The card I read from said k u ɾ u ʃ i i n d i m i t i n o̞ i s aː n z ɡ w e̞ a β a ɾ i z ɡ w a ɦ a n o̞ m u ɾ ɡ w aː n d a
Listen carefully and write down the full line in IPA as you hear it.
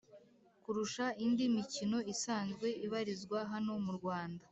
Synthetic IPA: k u ɾ u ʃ a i n d i m i c i n o̞ i s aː n z ɡ w e̞ i β a ɾ i z ɡ w a ɦ a n o̞ m u ɾ ɡ w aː n d a